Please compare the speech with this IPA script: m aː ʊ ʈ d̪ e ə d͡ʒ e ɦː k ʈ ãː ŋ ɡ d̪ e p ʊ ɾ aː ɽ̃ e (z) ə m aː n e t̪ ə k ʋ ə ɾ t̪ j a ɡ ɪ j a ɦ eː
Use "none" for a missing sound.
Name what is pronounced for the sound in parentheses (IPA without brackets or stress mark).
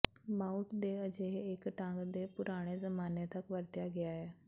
z